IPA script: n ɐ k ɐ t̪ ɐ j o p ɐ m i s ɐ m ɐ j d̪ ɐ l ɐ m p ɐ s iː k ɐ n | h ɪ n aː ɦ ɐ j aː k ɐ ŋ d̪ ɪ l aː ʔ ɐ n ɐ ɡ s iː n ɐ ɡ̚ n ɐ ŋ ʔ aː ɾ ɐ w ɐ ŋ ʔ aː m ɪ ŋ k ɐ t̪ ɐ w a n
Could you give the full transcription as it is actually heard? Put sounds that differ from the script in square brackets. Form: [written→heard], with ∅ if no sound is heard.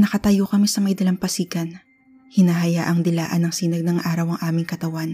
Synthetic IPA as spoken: n ɐ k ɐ t̪ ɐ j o [p→k] ɐ m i s ɐ m ɐ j d̪ ɐ l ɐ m p ɐ s iː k ɐ n | h ɪ n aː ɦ ɐ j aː [k→ʔ] ɐ ŋ d̪ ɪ l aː ʔ ɐ n ɐ [ɡ→ŋ] s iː n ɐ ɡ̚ n ɐ ŋ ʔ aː ɾ ɐ w ɐ ŋ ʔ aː m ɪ ŋ k ɐ t̪ ɐ w a n